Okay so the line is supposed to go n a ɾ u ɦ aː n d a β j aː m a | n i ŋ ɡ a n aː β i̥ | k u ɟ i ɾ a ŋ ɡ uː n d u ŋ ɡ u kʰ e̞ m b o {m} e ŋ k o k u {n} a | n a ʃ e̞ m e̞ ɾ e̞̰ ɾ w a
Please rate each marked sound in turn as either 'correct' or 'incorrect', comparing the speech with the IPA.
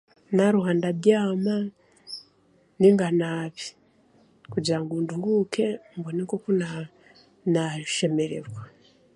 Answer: incorrect, correct

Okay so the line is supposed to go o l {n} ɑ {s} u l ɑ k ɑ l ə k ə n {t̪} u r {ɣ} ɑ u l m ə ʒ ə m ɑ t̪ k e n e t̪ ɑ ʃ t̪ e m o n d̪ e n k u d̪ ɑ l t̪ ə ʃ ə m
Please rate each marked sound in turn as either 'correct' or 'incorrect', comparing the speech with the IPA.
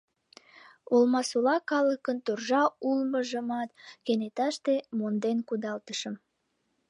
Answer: incorrect, correct, correct, incorrect

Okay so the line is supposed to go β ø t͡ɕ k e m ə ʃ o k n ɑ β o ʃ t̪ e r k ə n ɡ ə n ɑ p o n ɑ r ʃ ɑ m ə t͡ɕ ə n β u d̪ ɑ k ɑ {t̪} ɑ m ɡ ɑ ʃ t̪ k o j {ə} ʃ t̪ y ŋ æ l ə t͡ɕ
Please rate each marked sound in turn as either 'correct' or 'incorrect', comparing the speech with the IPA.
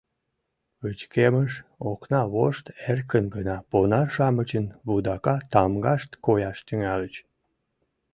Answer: correct, incorrect

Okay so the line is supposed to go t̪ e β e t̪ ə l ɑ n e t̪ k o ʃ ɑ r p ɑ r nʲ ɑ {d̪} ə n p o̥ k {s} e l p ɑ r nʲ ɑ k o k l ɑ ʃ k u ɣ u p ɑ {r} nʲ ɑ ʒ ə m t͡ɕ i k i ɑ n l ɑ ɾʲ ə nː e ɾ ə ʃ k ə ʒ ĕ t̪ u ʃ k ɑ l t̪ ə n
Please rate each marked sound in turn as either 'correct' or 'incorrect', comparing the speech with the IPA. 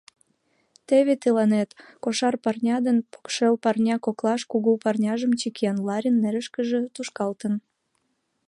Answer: correct, incorrect, correct

